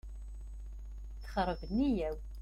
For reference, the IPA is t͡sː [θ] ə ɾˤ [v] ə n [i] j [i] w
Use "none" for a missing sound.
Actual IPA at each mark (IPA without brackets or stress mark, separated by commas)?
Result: χ, v, i, æ